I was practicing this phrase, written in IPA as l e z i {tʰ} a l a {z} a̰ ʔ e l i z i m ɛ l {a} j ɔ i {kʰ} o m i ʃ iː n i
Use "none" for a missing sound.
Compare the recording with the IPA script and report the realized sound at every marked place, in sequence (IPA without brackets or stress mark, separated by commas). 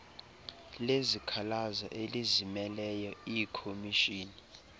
kʰ, z, ɛ, kʰ